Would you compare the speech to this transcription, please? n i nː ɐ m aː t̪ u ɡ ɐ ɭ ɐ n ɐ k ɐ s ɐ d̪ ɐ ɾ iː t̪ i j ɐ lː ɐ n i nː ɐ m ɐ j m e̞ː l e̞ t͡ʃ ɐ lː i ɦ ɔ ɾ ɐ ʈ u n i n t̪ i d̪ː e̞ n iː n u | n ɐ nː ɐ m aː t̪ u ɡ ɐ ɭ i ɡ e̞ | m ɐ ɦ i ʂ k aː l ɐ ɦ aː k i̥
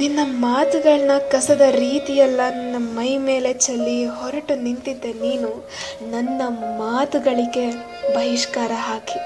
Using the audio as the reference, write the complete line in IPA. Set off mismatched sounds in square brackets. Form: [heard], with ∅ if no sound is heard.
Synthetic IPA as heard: n i nː ɐ m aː t̪ u ɡ ɐ ɭ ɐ n ɐ k ɐ s ɐ d̪ ɐ ɾ iː t̪ i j ɐ lː ɐ n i nː ɐ m ɐ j m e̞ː l e̞ t͡ʃ ɐ lː i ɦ ɔ ɾ ɐ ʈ u n i n t̪ i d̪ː e̞ n iː n u | n ɐ nː ɐ m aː t̪ u ɡ ɐ ɭ i ɡ e̞ | [b] ɐ ɦ i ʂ k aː [ɾ] ɐ ɦ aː k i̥